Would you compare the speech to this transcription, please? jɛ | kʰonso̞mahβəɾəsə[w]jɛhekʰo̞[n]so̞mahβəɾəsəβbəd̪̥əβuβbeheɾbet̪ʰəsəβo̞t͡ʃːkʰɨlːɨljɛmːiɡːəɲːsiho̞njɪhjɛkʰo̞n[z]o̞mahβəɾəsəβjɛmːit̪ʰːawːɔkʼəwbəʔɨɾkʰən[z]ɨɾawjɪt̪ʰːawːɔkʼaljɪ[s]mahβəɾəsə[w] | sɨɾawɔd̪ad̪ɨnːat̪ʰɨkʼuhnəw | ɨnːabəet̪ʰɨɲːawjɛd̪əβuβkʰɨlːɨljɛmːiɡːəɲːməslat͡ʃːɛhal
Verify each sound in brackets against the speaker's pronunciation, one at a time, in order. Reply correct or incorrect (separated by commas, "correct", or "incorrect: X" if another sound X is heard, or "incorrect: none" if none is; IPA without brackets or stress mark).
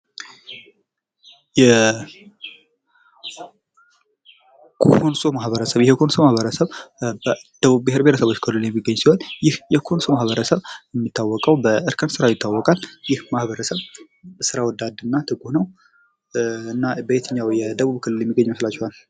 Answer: incorrect: β, correct, incorrect: s, incorrect: s, incorrect: h, incorrect: β